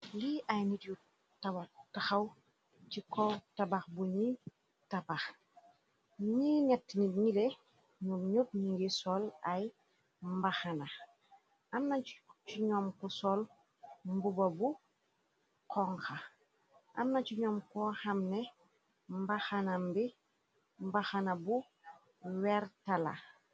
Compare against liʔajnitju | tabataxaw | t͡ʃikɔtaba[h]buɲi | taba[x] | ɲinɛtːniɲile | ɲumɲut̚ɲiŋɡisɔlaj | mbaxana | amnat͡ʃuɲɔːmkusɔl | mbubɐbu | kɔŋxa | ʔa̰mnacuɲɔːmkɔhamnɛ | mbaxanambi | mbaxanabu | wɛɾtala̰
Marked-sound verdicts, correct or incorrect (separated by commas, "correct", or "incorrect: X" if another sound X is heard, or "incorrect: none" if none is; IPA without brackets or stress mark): incorrect: x, correct